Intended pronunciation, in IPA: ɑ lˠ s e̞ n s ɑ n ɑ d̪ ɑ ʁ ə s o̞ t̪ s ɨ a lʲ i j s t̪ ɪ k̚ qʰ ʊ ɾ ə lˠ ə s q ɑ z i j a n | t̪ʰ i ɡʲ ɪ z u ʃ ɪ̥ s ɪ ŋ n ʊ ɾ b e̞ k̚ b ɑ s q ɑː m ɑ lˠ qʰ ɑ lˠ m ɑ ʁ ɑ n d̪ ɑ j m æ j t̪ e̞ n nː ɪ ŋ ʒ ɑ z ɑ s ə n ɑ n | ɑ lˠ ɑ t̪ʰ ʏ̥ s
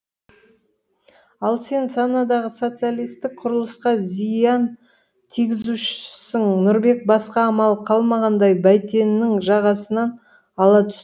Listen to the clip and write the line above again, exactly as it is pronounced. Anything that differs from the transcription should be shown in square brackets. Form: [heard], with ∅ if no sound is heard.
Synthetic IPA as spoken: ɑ lˠ s e̞ n s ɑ n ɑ d̪ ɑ ʁ ə s o̞ t̪ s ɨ a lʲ i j s t̪ ɪ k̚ qʰ ʊ ɾ ə lˠ ə s q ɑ z i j [ɑ] n | t̪ʰ i ɡʲ ɪ z u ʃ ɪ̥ s ɪ ŋ n ʊ ɾ b e̞ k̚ b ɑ s q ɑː m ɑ lˠ qʰ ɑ lˠ m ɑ ʁ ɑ n d̪ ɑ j [b] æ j t̪ e̞ n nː ɪ ŋ ʒ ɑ [ʁ] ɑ s ə n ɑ n | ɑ lˠ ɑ t̪ʰ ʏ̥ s